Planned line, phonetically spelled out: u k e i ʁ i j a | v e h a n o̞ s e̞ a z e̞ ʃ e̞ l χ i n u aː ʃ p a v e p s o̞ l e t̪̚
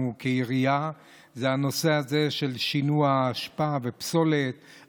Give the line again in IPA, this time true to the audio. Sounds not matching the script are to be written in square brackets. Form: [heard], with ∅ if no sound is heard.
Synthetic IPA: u k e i ʁ i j a | [z] e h a n o̞ s e̞ a z e̞ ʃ e̞ l [ʃ] i n u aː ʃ p a v e p s o̞ l e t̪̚